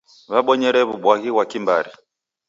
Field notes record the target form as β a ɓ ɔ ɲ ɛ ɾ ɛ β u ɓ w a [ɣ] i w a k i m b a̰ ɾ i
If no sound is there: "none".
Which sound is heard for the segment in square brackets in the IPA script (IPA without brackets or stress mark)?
ɣ